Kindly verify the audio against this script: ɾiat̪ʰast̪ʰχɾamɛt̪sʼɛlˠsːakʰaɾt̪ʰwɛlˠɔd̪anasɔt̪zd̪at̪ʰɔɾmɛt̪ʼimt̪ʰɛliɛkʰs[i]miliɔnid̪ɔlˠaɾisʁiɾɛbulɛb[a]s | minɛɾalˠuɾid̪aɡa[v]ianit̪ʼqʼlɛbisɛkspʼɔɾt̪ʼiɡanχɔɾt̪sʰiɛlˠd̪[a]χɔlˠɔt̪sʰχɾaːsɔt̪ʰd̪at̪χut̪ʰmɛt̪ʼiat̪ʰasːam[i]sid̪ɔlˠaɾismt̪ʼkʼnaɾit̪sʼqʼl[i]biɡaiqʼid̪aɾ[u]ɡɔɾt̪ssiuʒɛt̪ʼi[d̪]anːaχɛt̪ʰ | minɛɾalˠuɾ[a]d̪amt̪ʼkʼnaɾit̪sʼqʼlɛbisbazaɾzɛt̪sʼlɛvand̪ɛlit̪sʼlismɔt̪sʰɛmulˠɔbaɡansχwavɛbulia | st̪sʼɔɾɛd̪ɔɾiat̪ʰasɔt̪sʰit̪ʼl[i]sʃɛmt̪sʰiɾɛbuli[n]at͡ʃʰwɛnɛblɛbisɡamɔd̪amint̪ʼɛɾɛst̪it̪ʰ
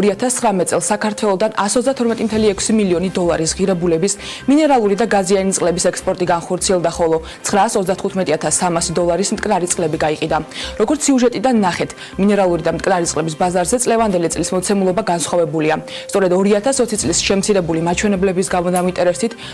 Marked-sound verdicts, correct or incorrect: correct, incorrect, incorrect, correct, incorrect, incorrect, incorrect, correct, incorrect, correct, incorrect

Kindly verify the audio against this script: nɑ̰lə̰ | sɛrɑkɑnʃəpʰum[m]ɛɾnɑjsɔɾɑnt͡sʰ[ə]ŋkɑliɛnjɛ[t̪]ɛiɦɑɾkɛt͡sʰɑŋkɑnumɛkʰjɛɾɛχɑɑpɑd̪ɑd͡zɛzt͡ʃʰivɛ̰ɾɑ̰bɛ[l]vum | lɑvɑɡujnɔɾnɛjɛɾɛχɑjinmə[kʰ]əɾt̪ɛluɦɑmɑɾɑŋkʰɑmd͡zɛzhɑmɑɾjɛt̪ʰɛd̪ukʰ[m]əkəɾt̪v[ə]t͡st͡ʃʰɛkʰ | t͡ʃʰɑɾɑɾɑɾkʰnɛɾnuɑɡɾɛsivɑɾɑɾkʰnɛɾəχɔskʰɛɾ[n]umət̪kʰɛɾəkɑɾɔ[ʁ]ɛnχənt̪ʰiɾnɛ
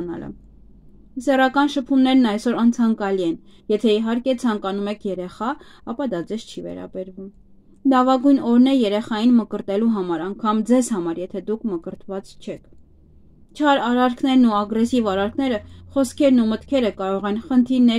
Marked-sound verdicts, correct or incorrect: incorrect, incorrect, incorrect, incorrect, incorrect, correct, incorrect, correct, correct

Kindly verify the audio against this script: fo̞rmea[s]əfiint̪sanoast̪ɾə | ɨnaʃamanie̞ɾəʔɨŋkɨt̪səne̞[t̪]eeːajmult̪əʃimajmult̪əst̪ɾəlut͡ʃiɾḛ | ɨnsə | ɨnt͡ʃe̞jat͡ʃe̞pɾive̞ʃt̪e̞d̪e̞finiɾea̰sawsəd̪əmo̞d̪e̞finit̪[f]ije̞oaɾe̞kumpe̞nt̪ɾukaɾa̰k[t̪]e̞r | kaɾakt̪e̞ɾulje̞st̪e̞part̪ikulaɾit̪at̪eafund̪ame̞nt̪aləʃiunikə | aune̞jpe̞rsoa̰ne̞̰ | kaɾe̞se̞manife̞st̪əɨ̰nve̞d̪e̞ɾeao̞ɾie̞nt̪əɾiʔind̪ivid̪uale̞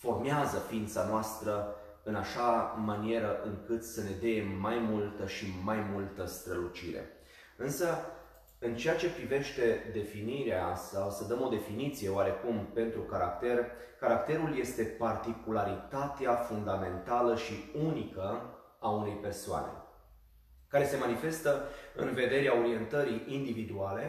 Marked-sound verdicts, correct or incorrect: incorrect, incorrect, incorrect, correct

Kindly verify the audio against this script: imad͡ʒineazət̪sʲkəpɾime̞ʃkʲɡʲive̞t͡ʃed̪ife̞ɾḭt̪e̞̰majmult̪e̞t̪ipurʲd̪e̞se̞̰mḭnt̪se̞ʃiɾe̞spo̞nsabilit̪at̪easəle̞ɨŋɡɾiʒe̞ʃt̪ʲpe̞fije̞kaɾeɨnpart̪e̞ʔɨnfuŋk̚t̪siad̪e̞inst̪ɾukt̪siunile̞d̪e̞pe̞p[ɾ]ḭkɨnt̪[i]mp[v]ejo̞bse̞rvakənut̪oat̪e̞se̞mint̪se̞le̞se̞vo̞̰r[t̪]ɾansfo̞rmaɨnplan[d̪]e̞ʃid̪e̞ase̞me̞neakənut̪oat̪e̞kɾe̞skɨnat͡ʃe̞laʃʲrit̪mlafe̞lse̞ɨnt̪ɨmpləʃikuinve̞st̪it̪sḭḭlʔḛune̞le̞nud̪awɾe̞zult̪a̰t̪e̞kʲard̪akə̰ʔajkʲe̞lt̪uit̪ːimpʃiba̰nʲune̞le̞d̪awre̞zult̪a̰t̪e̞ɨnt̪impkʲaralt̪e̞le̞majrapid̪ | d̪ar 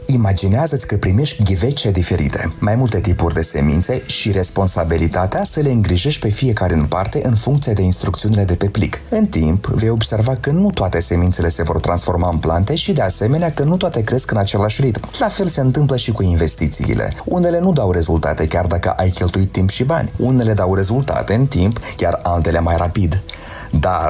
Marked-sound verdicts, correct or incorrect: incorrect, correct, correct, correct, incorrect

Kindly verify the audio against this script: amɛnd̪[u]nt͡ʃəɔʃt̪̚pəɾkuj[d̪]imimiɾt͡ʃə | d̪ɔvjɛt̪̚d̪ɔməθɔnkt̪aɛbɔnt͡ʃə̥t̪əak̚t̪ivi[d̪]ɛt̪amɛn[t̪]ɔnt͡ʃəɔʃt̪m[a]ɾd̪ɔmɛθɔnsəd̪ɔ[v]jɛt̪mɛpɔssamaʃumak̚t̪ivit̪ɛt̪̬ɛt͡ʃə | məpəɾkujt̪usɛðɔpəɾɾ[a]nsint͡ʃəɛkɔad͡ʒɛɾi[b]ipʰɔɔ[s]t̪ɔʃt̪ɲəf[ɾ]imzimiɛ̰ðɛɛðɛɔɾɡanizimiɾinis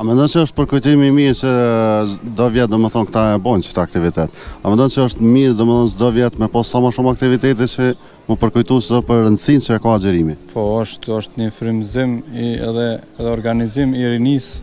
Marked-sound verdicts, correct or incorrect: incorrect, incorrect, incorrect, incorrect, incorrect, correct, incorrect, incorrect, incorrect, correct

